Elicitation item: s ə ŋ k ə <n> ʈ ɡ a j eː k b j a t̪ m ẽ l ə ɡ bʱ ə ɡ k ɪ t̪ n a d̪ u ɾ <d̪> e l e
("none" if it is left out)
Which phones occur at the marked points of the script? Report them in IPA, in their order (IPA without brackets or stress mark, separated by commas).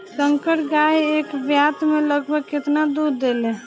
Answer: none, d̪